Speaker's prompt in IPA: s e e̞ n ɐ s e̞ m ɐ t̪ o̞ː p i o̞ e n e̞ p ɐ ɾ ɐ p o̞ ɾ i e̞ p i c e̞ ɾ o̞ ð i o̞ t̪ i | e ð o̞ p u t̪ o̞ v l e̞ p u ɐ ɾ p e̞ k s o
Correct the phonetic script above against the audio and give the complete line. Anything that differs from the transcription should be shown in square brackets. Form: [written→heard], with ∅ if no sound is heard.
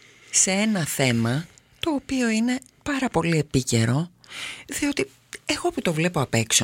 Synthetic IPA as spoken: s e e̞ n ɐ [s→θ] e̞ m ɐ t̪ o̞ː p i o̞ [e→i] n e̞ p ɐ ɾ ɐ p o̞ [ɾ→l] i e̞ p i c e̞ ɾ o̞ ð i o̞ t̪ i | e [ð→ɣ] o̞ p u t̪ o̞ v l e̞ p [u→o] ɐ [ɾ→∅] p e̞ k s o